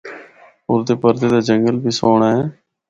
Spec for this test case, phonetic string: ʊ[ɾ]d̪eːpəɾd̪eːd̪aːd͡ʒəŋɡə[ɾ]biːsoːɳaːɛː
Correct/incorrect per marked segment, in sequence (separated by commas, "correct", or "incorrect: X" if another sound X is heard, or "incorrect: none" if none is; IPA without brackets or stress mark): correct, incorrect: l